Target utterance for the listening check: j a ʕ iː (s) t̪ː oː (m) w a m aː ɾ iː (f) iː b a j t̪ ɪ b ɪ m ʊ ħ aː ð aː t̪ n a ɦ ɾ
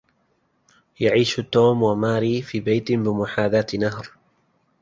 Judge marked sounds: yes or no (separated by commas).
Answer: no, yes, yes